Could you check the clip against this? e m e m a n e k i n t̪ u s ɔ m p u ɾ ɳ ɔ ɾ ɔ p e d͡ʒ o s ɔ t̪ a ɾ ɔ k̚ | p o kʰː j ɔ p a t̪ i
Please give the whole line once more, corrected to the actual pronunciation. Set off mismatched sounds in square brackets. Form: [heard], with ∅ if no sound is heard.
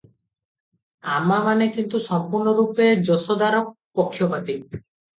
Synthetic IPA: [a] m [a] m a n e k i n t̪ u s ɔ m p u ɾ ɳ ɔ ɾ [u] p e d͡ʒ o s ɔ [d̪] a ɾ ɔ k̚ | p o kʰː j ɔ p a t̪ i